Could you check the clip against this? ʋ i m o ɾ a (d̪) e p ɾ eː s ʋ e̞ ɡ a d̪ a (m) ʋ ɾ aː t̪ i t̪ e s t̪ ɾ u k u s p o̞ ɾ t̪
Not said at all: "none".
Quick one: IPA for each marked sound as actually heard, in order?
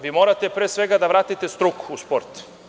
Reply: t̪, none

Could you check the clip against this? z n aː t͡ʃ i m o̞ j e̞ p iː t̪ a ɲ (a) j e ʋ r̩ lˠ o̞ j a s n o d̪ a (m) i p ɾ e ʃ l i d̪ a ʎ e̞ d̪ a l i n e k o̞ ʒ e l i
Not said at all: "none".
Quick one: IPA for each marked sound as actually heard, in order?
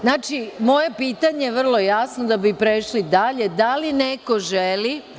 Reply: e, b

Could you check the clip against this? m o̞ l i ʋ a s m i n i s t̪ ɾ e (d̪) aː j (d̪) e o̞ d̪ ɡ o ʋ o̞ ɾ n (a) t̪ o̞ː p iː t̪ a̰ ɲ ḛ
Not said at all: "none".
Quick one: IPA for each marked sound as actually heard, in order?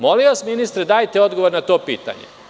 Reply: d̪, t̪, a

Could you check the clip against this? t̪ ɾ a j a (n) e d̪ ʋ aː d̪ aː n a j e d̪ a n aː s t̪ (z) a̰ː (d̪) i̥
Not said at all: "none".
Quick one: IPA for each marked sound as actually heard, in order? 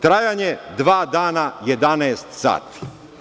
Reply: ɲ, s, t̪

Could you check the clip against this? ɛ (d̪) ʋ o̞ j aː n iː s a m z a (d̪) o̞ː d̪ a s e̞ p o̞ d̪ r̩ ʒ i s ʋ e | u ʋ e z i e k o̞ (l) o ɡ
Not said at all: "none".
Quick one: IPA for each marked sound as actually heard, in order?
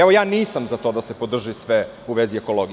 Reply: none, t̪, l

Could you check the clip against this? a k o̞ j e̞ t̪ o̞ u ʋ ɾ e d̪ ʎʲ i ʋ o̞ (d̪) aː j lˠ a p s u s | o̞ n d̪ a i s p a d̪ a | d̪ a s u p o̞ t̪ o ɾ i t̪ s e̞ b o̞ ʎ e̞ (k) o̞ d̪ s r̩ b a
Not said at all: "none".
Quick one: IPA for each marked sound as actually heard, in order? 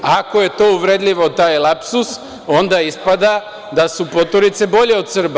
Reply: t̪, none

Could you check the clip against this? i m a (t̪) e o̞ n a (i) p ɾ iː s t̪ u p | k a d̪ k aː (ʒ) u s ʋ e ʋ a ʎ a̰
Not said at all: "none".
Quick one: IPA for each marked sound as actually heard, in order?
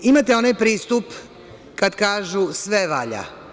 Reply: t̪, j, ʒ

